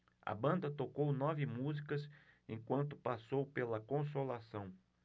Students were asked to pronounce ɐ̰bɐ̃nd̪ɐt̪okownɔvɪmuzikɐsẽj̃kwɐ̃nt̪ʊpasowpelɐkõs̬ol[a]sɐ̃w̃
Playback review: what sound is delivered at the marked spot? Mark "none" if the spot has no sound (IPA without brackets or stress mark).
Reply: a